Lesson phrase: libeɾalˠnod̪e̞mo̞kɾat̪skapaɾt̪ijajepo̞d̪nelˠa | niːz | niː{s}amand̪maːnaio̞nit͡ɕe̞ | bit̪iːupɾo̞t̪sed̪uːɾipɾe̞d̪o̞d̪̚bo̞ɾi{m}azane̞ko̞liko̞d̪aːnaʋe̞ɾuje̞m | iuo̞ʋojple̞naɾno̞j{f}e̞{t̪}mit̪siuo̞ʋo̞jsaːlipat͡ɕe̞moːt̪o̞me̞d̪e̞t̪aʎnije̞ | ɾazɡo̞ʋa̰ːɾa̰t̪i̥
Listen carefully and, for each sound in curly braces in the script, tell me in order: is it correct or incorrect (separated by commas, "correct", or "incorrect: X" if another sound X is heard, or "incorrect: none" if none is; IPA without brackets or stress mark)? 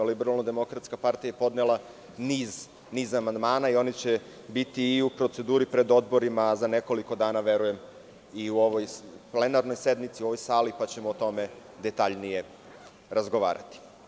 incorrect: z, correct, incorrect: s, incorrect: d̪